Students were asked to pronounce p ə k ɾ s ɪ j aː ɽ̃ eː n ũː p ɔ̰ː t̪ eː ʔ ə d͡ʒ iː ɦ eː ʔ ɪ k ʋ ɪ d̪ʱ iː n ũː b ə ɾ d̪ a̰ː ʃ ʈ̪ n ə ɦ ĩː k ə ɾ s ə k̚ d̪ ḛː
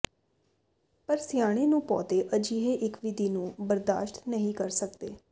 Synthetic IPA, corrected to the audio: p ə ɾ s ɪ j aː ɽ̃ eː n ũː p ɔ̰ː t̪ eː ʔ ə d͡ʒ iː ɦ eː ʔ ɪ k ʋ ɪ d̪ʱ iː n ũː b ə ɾ d̪ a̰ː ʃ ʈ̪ n ə ɦ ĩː k ə ɾ s ə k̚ d̪ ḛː